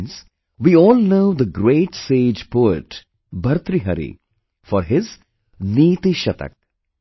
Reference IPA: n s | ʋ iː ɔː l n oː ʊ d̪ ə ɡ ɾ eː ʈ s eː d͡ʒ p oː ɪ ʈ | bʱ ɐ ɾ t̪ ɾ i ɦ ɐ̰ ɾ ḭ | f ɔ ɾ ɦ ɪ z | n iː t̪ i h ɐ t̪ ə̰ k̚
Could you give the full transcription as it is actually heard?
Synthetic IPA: n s | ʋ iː ɔː l n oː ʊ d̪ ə ɡ ɾ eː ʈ s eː d͡ʒ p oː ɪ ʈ | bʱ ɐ ɾ t̪ ɾ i ɦ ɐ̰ ɾ ḭ | f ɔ ɾ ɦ ɪ z | n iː t̪ i ʃ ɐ t̪ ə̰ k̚

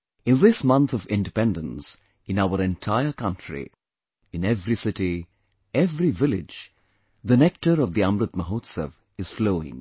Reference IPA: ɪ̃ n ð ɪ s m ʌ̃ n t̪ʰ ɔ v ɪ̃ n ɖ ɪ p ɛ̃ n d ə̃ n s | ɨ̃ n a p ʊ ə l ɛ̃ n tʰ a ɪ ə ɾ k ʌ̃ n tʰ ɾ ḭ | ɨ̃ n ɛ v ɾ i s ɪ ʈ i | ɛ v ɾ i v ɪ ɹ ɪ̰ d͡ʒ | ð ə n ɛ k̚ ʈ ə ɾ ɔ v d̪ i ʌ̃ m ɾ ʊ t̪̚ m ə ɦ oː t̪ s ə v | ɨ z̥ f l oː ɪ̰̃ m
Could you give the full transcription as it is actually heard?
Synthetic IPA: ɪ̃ n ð ɪ s m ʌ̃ n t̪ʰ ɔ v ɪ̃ n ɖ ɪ p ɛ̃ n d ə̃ n s | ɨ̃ n a ʊ ə ɾ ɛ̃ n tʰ a ɪ ə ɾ k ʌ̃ n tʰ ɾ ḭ | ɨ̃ n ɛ v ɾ i s ɪ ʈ i | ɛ v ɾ i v ɪ l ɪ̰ d͡ʒ | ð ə n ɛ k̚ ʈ ə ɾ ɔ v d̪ i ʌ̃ m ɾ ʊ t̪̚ m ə ɦ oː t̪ s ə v | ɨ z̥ f l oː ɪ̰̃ ŋ

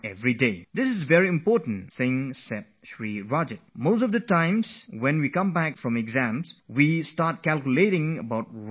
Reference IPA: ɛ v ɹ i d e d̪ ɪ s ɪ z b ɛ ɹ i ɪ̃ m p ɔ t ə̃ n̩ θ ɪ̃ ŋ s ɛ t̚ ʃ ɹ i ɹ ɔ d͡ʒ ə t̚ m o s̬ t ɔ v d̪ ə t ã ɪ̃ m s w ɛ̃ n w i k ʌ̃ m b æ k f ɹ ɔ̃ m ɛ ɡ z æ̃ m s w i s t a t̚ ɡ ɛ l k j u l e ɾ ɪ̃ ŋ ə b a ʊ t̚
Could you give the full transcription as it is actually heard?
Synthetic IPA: ɛ v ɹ i d e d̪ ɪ s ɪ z v ɛ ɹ i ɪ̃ m p ɔ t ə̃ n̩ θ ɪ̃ ŋ s ɛ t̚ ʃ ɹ i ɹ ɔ d͡ʒ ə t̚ m o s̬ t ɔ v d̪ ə t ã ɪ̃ m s w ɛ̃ n w i k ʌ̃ m b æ k f ɹ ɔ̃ m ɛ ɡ z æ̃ m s w i s t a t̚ k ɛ l k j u l e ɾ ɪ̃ ŋ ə b a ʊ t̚

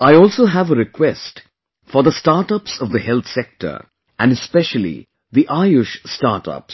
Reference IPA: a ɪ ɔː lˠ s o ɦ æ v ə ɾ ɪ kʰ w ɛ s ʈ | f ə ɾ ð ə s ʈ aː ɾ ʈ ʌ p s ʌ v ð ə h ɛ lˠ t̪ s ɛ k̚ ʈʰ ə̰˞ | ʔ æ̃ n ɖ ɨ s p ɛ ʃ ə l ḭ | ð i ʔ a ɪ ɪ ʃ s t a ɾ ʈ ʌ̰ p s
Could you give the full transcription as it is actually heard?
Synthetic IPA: a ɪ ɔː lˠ s o ɦ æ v ə ɾ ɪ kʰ w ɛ s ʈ | f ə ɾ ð ə s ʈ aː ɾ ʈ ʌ p s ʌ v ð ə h ɛ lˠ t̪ s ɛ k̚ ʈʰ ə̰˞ | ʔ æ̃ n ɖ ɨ s p ɛ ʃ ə l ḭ | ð i ʔ a ɪ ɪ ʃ s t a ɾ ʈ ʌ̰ p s

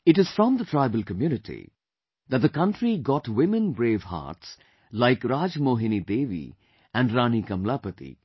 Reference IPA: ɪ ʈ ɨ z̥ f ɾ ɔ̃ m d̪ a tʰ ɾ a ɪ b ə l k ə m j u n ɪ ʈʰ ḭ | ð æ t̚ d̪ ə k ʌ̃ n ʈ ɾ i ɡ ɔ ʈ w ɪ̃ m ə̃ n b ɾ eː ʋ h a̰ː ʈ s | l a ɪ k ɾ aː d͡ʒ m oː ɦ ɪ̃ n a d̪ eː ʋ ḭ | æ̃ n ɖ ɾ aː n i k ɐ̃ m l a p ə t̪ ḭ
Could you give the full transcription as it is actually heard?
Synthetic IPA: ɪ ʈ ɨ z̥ f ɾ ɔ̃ m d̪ ə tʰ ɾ a ɪ b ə l k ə m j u n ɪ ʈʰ ḭ | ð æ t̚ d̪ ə k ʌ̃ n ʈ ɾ i ɡ ɔ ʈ w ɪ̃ m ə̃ n b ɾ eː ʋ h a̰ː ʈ s | l a ɪ k ɾ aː d͡ʒ m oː ɦ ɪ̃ n i d̪ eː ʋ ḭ | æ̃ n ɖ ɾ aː n i k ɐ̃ m l a p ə t̪ ḭ

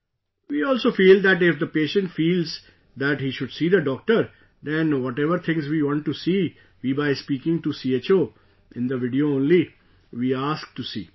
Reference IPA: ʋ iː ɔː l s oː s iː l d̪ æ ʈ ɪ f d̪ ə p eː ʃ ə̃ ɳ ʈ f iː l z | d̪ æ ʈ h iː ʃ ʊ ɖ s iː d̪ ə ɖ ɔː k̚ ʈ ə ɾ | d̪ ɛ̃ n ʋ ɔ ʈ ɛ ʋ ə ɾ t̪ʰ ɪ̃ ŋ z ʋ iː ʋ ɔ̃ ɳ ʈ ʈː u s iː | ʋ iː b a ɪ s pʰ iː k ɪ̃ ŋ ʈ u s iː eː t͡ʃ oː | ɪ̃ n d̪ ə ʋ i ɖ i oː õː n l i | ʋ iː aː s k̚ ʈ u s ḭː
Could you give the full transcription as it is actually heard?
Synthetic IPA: ʋ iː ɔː l s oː f iː l d̪ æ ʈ ɪ f d̪ ə p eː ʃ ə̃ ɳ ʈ f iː l z | d̪ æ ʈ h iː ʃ ʊ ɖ s iː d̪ ə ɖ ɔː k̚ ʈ ə ɾ | d̪ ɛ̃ n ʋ ɔ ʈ ɛ ʋ ə ɾ t̪ʰ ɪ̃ ŋ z ʋ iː ʋ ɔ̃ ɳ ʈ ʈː u s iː | ʋ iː b a ɪ s p iː k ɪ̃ ŋ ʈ u s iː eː t͡ʃ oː | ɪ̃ n d̪ ə ʋ ɪ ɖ i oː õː n l i | ʋ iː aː s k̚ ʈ u s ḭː

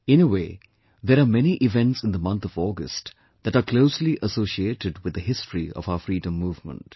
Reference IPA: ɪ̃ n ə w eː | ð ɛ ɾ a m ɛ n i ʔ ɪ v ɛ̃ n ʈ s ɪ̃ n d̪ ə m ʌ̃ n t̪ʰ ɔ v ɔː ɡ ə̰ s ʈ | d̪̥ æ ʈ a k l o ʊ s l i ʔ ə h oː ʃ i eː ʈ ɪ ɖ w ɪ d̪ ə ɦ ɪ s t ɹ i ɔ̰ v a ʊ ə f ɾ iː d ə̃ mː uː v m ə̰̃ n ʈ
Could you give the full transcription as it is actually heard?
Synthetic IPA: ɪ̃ n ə w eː | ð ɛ ɾ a m ɛ n i ʔ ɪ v ɛ̃ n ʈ s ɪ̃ n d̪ ə m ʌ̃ n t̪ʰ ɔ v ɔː ɡ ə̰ s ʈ | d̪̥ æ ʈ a k l o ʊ s l i ʔ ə s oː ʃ i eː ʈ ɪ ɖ w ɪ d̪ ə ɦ ɪ s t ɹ i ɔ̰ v a ʊ ə f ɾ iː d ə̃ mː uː v m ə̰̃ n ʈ

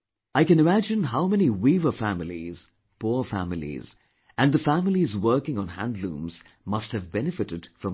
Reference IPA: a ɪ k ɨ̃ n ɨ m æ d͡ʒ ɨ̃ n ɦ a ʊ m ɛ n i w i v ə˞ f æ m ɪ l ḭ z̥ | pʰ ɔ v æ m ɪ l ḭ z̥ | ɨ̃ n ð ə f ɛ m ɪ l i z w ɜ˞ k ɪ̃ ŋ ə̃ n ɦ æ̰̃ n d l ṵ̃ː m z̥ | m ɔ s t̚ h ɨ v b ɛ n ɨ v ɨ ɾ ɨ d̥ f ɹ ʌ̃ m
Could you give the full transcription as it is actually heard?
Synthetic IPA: a ɪ k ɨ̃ n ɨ m æ d͡ʒ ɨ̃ n ɦ a ʊ m ɛ n i w i v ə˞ f æ m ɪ l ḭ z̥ | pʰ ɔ f æ m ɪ l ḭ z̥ | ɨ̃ n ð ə f æ m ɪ l i z w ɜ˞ k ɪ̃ ŋ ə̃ n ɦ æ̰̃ n d l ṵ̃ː m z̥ | m ʌ s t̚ h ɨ v b ɛ n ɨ f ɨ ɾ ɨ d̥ f ɹ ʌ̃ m

